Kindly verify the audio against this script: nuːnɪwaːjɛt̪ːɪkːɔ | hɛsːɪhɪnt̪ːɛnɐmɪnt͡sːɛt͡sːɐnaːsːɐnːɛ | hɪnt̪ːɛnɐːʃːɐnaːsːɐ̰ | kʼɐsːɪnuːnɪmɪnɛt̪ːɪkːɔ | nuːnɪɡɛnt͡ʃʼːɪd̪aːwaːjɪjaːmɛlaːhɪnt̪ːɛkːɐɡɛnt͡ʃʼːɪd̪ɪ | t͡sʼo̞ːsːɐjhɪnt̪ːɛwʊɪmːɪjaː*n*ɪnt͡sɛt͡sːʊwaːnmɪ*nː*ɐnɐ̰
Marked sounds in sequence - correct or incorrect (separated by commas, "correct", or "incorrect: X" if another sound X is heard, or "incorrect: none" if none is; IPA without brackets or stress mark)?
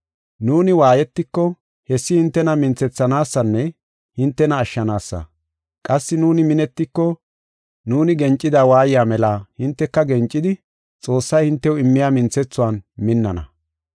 incorrect: m, correct